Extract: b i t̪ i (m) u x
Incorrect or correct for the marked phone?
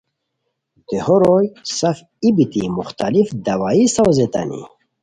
correct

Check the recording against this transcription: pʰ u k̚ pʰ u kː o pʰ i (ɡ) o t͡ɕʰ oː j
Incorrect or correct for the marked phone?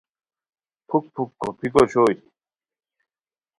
incorrect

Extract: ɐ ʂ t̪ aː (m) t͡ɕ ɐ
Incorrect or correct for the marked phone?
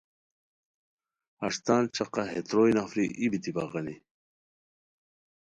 incorrect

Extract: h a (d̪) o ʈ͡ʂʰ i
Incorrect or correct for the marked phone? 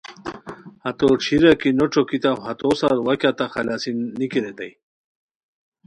incorrect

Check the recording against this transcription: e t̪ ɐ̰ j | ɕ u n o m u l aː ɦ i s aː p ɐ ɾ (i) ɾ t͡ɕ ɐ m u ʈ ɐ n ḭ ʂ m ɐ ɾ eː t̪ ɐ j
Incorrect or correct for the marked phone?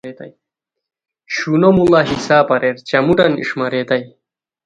incorrect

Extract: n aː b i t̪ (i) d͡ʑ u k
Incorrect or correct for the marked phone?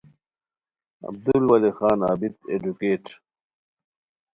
incorrect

